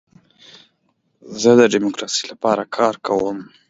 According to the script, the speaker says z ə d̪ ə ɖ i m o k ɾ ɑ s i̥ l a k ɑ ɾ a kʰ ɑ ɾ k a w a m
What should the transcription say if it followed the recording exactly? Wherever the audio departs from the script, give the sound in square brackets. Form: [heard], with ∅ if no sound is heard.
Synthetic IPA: z ə d̪ ə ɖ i m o k ɾ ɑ s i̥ l a [p] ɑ ɾ a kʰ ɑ ɾ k a w [ə] m